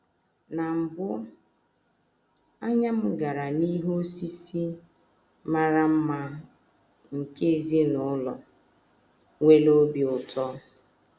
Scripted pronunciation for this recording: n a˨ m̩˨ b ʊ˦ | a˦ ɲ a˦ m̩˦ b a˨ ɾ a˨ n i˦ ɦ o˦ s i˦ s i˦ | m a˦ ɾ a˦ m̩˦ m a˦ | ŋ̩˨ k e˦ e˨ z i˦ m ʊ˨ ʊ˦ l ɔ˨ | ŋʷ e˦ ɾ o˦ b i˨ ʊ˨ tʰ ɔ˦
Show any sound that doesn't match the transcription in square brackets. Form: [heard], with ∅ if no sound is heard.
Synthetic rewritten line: n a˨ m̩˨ b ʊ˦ | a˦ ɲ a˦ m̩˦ [ɡ] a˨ ɾ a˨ n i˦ ɦ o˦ s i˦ s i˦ | m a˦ ɾ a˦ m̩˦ m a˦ | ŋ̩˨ k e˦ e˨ z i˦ [n] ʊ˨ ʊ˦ l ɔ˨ | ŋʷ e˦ [l] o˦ b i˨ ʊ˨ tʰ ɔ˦